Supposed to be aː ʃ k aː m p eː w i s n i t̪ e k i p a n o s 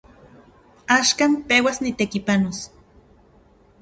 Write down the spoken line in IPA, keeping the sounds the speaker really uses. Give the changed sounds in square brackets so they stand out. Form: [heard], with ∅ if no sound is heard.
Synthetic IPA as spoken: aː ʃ k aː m p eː w [a] s n i t̪ e k i p a n o s